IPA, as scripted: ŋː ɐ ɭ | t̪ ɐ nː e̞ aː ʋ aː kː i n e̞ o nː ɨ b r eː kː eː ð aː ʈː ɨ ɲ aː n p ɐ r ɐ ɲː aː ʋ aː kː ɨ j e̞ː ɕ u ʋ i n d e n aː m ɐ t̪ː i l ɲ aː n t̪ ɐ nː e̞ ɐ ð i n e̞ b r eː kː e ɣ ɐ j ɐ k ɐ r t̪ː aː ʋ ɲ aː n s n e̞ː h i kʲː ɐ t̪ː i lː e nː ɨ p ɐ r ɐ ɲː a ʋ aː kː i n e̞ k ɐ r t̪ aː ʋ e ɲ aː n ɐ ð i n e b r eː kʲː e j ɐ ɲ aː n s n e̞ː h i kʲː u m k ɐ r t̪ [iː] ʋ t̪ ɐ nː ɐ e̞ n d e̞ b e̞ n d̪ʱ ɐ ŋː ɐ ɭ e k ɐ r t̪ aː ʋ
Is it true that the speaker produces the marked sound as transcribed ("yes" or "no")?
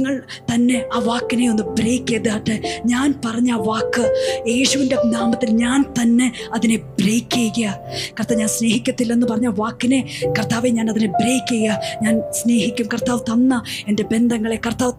no